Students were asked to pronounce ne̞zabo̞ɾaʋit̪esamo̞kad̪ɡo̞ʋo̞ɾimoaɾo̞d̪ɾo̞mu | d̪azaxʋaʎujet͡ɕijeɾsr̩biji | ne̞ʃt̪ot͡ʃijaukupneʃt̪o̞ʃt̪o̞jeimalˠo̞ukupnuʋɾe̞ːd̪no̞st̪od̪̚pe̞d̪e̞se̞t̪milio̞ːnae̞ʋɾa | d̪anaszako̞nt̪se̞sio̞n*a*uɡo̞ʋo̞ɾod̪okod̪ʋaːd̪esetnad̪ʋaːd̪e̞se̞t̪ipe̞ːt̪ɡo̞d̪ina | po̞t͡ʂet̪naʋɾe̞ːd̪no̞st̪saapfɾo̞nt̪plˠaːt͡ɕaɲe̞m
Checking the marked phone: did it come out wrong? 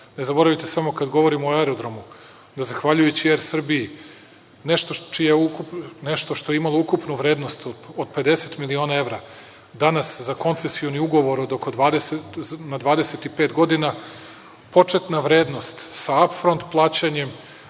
yes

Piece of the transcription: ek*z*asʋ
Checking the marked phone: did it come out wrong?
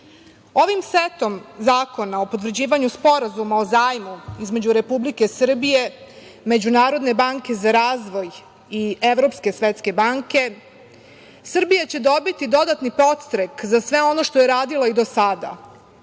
no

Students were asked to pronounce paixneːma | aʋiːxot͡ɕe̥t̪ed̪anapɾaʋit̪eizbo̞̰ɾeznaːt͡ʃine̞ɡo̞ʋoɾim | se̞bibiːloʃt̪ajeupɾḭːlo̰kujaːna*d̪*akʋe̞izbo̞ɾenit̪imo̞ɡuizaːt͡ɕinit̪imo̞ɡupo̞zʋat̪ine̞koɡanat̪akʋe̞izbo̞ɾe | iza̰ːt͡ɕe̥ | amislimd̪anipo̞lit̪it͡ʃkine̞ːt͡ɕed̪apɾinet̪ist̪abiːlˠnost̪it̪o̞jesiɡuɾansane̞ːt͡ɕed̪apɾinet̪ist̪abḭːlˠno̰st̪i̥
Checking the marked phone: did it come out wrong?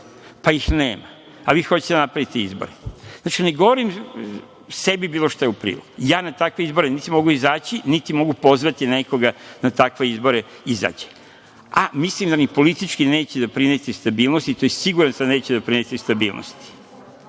yes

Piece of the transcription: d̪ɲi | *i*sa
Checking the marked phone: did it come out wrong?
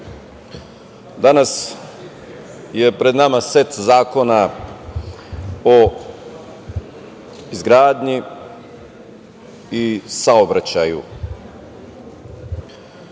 no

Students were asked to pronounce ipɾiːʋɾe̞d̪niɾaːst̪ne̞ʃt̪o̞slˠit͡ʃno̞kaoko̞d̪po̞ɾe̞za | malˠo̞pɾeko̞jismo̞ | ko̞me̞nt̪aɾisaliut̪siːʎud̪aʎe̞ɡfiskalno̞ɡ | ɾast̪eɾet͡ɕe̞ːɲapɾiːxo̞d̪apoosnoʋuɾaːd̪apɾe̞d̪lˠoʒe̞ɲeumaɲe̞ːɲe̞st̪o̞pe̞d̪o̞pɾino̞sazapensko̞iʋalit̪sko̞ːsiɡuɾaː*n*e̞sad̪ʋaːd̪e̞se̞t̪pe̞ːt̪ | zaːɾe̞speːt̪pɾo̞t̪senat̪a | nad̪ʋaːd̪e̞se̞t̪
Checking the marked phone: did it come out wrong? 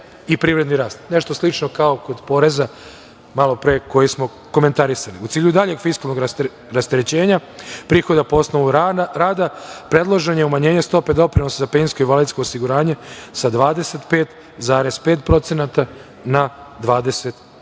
yes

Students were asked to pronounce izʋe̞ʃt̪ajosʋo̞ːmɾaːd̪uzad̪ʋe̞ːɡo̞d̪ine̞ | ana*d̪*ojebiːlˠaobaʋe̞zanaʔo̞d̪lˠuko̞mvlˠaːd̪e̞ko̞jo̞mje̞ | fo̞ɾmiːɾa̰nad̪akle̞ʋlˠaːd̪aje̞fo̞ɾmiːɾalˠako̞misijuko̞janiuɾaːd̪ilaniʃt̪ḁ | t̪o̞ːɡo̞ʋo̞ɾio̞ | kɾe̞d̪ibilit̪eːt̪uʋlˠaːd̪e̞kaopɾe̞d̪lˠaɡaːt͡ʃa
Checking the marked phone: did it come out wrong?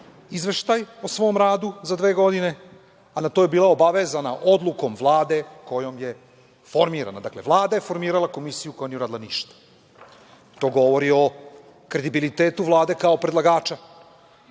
yes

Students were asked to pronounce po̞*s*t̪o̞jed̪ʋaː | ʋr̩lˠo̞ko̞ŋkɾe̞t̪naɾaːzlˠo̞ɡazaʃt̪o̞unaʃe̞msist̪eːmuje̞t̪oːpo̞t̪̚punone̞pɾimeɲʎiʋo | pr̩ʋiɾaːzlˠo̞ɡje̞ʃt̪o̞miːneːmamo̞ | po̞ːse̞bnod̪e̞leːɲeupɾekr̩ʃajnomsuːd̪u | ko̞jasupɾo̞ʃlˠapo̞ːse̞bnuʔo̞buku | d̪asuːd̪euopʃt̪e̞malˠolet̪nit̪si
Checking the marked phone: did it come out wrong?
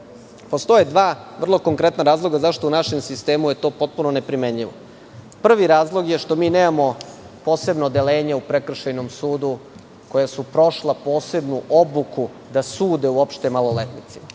no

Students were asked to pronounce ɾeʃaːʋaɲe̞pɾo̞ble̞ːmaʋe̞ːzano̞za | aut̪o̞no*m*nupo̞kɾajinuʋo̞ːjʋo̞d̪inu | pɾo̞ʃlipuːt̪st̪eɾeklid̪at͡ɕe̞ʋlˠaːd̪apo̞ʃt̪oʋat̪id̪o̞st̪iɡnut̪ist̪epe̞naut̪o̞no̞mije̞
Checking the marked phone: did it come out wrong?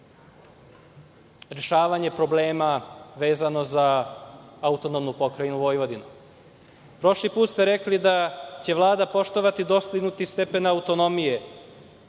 no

